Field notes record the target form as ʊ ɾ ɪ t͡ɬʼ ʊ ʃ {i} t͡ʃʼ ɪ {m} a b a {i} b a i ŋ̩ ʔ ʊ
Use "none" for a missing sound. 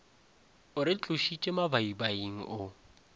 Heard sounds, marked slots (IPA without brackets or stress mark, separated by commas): i, m, i